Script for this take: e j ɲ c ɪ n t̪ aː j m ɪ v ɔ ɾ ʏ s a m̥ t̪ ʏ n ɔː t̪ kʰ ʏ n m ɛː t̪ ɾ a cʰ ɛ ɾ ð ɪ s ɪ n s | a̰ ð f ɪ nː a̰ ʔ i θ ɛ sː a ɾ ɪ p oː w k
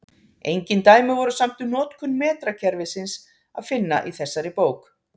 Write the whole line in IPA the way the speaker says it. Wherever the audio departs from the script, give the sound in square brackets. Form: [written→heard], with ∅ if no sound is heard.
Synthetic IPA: e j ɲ c ɪ n t̪ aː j m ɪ v ɔ ɾ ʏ s a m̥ t̪ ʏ n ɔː t̪ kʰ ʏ n m ɛː t̪ ɾ a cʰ ɛ ɾ [ð→v] ɪ s ɪ n s | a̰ ð f ɪ nː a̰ ʔ i θ ɛ sː a ɾ ɪ p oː w k